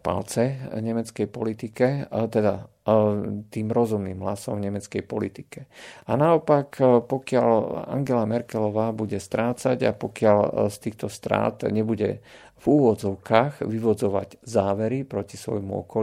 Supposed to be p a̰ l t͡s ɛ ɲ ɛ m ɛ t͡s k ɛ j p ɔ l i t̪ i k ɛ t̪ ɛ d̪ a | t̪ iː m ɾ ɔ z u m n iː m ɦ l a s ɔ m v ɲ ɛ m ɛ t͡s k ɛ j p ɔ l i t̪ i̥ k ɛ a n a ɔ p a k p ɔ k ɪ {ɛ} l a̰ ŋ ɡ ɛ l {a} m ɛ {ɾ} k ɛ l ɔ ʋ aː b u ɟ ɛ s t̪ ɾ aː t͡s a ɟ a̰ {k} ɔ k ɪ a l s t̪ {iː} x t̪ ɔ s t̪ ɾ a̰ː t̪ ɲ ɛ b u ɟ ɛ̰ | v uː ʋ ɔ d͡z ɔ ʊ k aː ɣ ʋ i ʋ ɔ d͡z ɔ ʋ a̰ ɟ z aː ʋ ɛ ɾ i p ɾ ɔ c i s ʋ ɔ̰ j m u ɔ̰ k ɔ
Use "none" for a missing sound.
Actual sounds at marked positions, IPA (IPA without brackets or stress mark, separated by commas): a, a, ɾ, p, iː